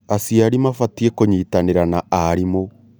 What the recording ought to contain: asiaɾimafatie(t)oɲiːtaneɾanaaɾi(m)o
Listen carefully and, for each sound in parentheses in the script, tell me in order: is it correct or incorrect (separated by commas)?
incorrect, correct